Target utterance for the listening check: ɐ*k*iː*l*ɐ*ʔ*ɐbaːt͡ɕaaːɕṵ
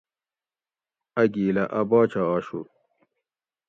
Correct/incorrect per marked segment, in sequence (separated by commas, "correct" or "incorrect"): incorrect, correct, correct